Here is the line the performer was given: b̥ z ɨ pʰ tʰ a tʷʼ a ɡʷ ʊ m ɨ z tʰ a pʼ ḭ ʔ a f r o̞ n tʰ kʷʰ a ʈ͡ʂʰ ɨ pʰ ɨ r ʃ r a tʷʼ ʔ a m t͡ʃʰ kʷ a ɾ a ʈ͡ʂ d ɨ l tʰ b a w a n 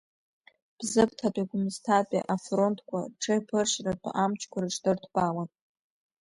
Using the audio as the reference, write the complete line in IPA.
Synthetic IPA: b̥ z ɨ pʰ tʰ a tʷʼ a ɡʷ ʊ m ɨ z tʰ a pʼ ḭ ʔ a f r o̞ n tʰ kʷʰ a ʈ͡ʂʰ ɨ pʰ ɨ r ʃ r a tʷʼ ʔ a m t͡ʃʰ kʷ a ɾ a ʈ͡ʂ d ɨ r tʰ b a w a n